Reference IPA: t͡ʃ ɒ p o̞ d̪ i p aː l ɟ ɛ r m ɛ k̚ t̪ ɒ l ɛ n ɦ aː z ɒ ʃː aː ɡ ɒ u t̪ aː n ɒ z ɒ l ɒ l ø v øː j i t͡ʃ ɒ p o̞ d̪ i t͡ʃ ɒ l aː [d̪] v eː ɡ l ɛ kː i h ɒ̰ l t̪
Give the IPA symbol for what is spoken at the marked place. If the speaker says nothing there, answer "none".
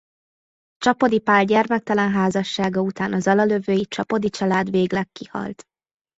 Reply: d̪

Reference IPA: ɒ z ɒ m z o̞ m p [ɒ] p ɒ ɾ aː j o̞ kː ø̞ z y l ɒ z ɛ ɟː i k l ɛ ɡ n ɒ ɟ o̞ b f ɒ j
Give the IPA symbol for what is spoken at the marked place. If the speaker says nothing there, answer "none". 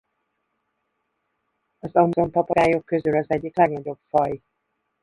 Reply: ɒ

